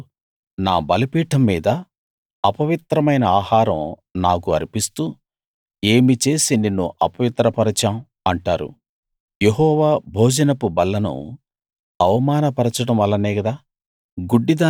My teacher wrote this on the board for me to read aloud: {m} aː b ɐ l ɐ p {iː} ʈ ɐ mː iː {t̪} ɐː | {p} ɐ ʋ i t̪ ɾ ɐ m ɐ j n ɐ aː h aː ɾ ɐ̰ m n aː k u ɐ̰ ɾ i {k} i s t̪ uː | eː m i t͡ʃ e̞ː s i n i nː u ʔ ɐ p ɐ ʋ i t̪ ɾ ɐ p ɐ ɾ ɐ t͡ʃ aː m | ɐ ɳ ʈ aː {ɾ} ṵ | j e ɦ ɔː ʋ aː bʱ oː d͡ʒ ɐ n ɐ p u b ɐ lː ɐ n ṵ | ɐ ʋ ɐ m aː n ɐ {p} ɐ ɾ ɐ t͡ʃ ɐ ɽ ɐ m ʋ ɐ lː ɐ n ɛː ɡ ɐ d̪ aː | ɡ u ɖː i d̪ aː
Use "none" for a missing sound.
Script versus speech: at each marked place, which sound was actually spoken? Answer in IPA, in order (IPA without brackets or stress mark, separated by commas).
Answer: n, iː, d̪, p, p, ɾ, p